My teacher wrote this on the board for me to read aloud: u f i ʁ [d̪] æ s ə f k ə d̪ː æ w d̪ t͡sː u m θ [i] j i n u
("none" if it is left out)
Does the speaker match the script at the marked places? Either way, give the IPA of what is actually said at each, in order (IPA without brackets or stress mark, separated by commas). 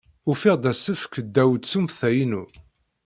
d̪, æ